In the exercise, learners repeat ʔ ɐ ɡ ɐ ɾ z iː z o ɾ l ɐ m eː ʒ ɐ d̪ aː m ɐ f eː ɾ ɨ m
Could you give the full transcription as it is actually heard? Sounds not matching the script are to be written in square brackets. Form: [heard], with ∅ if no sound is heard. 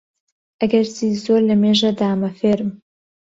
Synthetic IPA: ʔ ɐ ɡ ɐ ɾ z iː z o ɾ l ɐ m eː ʒ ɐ d̪ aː m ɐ f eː ɾ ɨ m